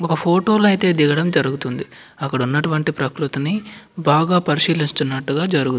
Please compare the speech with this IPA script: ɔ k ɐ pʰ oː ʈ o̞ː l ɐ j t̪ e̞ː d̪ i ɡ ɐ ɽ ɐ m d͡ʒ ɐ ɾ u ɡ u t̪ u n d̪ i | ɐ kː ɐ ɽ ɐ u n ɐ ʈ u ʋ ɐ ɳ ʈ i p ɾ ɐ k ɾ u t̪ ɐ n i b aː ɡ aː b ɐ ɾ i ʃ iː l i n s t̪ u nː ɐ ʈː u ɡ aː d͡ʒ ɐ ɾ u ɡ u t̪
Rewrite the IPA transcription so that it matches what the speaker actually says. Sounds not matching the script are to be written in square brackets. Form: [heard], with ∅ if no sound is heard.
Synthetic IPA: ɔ k ɐ pʰ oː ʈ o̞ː l ɐ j t̪ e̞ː d̪ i ɡ ɐ ɽ ɐ m d͡ʒ ɐ ɾ u ɡ u t̪ u n d̪ i | ɐ kː ɐ ɽ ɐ u [nː] ɐ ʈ u ʋ ɐ ɳ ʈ i p ɾ ɐ k ɾ u t̪ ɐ n i b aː ɡ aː [p] ɐ ɾ i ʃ iː l i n s t̪ u nː ɐ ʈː u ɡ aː d͡ʒ ɐ ɾ u ɡ u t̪

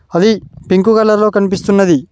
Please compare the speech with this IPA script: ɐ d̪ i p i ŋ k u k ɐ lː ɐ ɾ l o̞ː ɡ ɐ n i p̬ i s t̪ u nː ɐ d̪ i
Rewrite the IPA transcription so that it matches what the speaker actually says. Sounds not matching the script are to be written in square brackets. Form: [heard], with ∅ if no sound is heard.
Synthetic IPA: ɐ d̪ i p i ŋ k u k ɐ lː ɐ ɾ l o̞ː [k] ɐ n i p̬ i s t̪ u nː ɐ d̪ i

